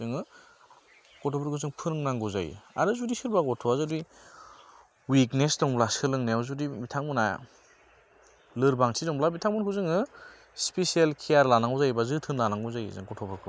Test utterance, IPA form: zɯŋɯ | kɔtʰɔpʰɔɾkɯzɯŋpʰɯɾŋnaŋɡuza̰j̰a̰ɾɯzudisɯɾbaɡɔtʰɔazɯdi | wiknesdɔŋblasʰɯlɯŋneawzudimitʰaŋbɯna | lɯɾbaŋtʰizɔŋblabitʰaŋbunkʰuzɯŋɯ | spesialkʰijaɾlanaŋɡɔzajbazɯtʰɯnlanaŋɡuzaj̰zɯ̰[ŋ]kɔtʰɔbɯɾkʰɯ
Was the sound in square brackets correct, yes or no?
yes